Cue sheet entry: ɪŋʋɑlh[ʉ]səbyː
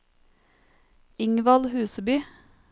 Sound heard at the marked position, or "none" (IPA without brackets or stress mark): ʉː